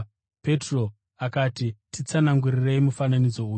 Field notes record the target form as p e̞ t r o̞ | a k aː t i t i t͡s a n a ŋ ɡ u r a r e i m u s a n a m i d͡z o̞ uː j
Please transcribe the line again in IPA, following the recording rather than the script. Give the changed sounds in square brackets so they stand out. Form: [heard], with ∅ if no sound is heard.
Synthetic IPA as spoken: p e̞ t r o̞ | a k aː t i t i t͡s a n a ŋ ɡ u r [i] r e i m u [f] a n a [n] i d͡z o̞ uː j